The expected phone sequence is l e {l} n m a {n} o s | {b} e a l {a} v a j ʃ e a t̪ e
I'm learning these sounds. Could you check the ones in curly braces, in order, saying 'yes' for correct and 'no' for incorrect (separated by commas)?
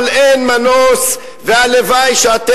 no, yes, no, no